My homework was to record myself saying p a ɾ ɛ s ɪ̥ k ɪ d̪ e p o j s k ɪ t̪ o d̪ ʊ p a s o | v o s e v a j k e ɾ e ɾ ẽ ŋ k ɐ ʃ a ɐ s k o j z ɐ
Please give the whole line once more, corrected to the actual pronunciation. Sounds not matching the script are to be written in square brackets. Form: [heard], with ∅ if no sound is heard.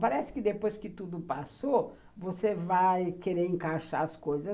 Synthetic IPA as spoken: p a ɾ ɛ s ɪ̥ k ɪ d̪ e p o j s k ɪ t̪ [u] d̪ ʊ p a s o | v o s e v a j k e ɾ e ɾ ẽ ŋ k [a] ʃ a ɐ s k o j z ɐ